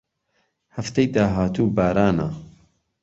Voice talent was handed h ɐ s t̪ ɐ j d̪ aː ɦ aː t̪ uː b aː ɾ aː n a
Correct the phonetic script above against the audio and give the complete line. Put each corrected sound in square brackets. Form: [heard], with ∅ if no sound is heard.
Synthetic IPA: h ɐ [f] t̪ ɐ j d̪ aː ɦ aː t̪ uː b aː ɾ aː n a